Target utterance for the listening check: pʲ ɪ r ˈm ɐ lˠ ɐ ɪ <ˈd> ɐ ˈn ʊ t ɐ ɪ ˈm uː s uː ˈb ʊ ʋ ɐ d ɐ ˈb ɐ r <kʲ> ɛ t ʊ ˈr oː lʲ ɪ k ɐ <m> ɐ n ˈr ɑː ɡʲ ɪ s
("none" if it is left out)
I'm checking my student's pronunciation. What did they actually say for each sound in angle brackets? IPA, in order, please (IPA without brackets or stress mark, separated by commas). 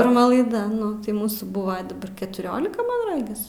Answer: d, kʲ, m